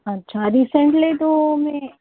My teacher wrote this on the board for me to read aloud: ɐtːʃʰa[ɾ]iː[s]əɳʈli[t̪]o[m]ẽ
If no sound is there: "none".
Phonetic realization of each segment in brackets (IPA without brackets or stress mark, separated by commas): ɾ, s, t̪, m